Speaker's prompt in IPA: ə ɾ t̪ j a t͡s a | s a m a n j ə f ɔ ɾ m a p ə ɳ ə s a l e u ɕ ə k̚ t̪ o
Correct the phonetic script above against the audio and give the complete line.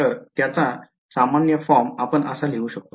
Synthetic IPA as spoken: ə ɾ t̪ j a t͡s a | s a m a n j ə f ɔ ɾ m a p ə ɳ ə s a l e u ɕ ə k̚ t̪ o